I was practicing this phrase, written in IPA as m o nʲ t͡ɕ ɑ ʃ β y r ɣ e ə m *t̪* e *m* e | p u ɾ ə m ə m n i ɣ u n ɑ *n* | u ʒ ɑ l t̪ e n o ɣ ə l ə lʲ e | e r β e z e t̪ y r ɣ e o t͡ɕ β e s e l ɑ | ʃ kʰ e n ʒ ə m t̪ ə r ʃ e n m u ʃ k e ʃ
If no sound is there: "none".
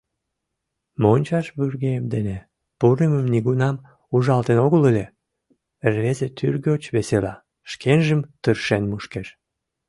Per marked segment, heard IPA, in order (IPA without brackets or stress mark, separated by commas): d̪, n, m